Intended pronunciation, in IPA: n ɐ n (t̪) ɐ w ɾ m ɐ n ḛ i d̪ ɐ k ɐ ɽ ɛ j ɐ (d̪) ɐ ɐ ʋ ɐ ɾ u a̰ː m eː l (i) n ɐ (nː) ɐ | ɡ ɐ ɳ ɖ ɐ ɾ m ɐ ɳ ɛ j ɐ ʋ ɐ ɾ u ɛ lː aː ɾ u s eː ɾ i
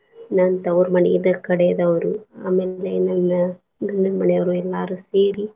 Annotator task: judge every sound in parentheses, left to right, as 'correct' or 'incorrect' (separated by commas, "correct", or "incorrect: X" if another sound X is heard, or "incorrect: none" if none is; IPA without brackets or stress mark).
correct, correct, incorrect: e, correct